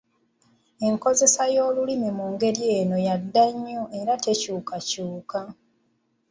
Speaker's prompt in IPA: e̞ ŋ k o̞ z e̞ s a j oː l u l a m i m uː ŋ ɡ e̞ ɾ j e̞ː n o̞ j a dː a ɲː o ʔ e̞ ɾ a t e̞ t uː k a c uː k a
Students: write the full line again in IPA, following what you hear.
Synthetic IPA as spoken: e̞ ŋ k o̞ z e̞ s a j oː l u l i m i m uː ŋ ɡ e̞ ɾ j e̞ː n o̞ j a dː a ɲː o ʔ e̞ ɾ a t e̞ c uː k a c uː k a